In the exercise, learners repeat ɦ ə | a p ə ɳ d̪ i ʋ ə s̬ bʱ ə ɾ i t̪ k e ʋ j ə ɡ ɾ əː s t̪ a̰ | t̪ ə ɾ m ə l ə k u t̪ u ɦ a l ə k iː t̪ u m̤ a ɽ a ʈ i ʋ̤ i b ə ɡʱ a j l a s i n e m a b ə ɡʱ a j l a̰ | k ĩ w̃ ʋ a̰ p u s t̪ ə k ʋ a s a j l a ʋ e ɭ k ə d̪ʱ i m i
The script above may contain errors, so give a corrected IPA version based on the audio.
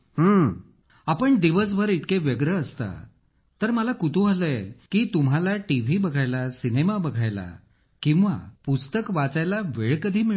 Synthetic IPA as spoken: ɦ ə | a p ə ɳ d̪ i ʋ ə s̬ bʱ ə ɾ i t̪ k e ʋ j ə ɡ ɾ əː s t̪ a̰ | t̪ ə ɾ m ə l a k u t̪ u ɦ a l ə k iː t̪ u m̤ a l a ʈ i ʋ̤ i b ə ɡʱ a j l a s i n e m a b ə ɡʱ a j l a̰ | k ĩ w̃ ʋ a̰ p u s t̪ ə k ʋ a t͡s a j l a ʋ e ɭ k ə d̪ʱ iː m i